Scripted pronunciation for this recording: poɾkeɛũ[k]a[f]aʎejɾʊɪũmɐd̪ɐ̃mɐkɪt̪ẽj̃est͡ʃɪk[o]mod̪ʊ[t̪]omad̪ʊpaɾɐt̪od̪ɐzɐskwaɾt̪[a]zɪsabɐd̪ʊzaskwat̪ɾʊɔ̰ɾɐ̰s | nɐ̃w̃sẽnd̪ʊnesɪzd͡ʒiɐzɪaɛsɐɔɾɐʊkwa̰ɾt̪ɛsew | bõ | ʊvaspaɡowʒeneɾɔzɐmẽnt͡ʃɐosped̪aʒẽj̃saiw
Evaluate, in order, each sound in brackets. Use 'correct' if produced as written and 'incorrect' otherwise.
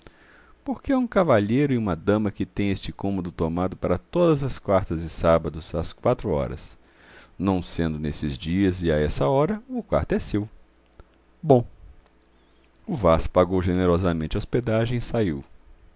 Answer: correct, incorrect: v, incorrect: õ, correct, incorrect: ɐ

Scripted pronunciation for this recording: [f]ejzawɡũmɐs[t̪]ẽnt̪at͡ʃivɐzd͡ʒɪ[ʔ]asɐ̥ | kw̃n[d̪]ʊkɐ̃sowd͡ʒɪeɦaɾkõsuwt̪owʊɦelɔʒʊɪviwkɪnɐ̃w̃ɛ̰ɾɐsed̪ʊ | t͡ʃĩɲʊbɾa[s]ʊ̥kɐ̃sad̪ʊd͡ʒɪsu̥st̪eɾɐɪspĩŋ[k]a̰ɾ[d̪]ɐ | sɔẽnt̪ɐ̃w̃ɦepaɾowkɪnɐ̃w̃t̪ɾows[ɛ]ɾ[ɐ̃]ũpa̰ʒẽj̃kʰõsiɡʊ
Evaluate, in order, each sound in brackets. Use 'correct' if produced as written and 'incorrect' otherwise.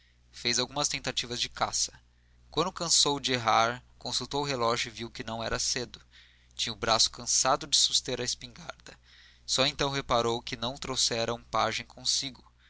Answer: correct, correct, incorrect: k, correct, correct, incorrect: ɡ, correct, correct, incorrect: ɐ

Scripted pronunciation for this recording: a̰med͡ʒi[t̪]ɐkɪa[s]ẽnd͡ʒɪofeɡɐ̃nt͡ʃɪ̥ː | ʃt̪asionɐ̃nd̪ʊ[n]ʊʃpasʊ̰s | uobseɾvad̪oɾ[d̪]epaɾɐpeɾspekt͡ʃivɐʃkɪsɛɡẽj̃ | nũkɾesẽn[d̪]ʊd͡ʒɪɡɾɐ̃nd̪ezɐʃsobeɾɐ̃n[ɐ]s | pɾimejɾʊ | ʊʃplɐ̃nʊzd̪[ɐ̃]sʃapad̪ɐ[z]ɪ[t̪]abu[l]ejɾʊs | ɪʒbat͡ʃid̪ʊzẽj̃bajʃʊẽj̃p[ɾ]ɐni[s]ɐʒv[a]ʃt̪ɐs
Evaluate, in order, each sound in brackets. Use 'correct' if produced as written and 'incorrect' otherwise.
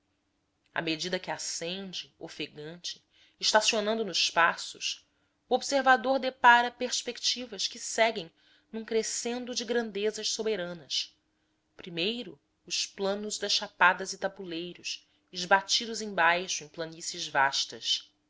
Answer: incorrect: d̪, correct, correct, correct, correct, correct, incorrect: ɐ, correct, correct, correct, incorrect: l, correct, correct

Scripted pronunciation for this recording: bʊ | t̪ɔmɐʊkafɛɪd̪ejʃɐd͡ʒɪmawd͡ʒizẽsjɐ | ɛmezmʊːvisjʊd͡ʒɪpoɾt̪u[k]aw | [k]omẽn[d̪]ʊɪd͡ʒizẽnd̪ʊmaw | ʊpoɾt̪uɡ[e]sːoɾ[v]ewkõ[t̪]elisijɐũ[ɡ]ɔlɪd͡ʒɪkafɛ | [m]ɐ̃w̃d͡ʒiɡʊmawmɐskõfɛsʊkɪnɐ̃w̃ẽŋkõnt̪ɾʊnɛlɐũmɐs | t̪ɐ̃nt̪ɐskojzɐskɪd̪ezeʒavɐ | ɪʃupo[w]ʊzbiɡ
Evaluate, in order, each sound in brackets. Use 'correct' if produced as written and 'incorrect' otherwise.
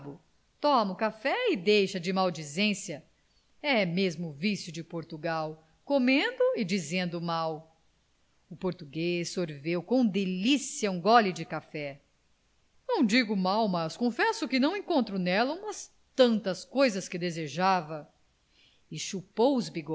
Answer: incorrect: ɡ, correct, correct, correct, correct, incorrect: d̪, correct, incorrect: n, correct

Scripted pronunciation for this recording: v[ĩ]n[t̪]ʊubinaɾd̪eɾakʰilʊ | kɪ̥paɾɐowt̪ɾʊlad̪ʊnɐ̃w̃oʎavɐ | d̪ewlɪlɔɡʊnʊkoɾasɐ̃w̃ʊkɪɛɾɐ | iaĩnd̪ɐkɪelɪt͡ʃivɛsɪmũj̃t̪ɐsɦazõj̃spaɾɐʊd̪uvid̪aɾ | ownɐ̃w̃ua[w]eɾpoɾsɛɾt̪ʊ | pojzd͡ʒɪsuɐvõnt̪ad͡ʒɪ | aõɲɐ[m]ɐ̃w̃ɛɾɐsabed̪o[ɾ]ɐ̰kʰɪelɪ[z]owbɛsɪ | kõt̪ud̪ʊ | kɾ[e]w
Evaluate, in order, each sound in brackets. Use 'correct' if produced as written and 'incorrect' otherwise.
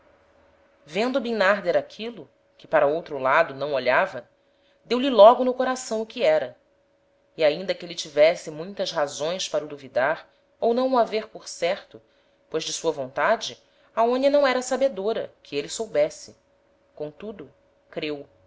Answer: incorrect: ẽ, incorrect: d̪, incorrect: v, incorrect: n, correct, incorrect: s, correct

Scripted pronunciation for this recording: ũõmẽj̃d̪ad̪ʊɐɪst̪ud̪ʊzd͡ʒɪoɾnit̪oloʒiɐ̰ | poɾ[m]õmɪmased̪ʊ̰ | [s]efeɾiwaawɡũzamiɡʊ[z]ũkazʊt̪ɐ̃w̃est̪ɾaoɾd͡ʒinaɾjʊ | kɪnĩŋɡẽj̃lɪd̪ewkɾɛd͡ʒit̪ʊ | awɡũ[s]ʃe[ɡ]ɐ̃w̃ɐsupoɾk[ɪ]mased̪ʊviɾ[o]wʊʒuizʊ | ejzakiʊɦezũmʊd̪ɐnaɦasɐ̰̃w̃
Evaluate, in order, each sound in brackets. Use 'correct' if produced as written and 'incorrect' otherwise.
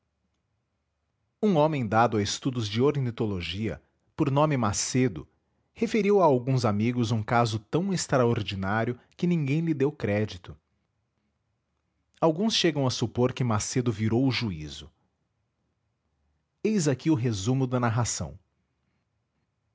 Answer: incorrect: n, incorrect: h, correct, correct, correct, correct, correct

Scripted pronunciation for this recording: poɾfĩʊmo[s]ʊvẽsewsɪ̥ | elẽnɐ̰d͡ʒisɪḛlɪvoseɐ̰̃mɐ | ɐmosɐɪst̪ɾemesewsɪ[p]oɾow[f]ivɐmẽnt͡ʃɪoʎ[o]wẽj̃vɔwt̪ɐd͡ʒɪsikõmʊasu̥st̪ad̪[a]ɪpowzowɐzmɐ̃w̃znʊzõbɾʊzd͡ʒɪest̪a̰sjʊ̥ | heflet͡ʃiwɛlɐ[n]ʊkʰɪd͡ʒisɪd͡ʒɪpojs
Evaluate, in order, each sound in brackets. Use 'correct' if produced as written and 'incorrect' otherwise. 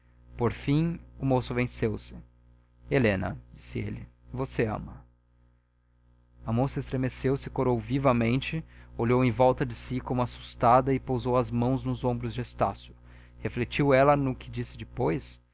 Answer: correct, incorrect: k, incorrect: v, correct, incorrect: ɐ, correct

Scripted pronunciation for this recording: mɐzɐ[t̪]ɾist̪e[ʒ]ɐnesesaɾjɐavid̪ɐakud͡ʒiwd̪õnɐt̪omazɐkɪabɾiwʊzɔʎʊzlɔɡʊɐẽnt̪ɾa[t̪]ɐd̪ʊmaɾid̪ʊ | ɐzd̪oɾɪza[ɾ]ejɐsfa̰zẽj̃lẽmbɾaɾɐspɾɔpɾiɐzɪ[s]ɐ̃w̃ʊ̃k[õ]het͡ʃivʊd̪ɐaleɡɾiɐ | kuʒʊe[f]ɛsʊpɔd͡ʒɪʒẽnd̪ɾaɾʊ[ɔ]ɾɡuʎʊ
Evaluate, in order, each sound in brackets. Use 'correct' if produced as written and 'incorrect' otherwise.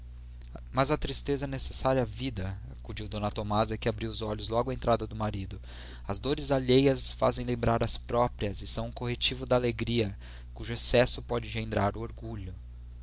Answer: correct, incorrect: z, incorrect: d̪, incorrect: ʎ, correct, incorrect: o, incorrect: s, incorrect: o

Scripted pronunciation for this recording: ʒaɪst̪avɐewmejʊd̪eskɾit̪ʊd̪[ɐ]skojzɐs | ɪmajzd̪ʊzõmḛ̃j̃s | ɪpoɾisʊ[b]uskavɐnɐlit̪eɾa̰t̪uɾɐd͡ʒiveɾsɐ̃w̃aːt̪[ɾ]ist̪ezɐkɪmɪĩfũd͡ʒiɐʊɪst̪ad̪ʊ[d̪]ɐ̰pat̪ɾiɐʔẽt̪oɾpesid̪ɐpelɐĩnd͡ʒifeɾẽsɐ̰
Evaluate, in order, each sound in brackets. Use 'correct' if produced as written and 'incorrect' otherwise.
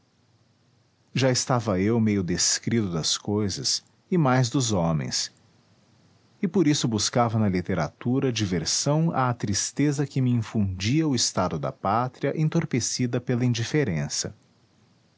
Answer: correct, correct, correct, correct

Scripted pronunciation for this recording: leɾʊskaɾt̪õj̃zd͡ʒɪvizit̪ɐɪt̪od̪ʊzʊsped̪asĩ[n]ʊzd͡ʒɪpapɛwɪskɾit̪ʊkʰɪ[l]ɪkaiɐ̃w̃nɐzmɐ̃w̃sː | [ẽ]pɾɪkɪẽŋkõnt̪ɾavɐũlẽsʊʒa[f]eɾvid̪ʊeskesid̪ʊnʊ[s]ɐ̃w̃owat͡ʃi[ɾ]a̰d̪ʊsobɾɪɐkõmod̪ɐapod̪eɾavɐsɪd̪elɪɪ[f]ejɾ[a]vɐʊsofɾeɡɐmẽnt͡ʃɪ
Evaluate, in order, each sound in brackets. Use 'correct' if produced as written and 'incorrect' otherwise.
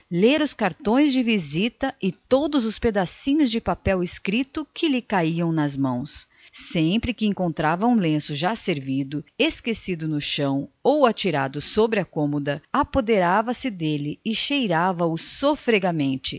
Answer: incorrect: ɲ, correct, correct, incorrect: s, incorrect: ʃ, correct, incorrect: ʃ, correct

